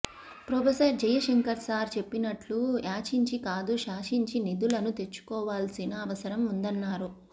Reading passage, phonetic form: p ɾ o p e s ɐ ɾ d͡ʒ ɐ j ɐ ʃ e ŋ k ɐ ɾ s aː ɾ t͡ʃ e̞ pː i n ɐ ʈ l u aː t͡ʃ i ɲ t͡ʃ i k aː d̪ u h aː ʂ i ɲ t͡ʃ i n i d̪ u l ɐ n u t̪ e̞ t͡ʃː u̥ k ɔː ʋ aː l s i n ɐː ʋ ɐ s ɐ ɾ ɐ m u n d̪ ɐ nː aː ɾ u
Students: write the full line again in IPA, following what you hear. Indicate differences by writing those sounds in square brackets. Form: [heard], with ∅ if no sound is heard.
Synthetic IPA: p ɾ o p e s ɐ ɾ d͡ʒ ɐ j ɐ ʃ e ŋ k ɐ ɾ s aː ɾ t͡ʃ e̞ pː i n ɐ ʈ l u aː t͡ʃ i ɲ t͡ʃ i k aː d̪ u [ʃ] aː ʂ i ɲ t͡ʃ i n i d̪ u l ɐ n u t̪ e̞ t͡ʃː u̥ k ɔː ʋ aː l s i n ɐː ʋ ɐ s ɐ ɾ ɐ m u n d̪ ɐ nː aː ɾ u